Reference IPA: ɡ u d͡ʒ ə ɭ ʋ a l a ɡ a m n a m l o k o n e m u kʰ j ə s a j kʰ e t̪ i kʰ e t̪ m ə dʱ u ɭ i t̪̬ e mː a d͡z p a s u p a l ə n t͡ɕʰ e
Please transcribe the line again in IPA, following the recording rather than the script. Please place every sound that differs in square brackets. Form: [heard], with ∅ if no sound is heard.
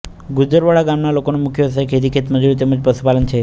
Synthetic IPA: ɡ u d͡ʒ ə [ɾ] ʋ a [ɭ] a ɡ a m n a [∅] l o k o n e m u kʰ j ə s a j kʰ e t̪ i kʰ e t̪ m ə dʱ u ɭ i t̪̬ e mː [ə] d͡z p [ə] s u p a l ə n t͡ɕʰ e